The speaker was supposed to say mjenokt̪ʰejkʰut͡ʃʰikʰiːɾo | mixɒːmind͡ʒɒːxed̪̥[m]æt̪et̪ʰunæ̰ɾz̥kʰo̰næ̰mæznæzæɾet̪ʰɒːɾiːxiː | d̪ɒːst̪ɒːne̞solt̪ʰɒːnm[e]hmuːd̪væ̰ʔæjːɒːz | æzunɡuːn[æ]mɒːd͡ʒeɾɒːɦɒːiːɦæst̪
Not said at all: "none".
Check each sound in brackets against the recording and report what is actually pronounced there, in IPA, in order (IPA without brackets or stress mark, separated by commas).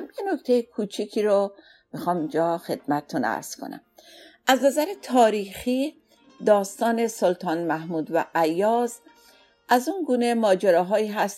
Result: m, æ, e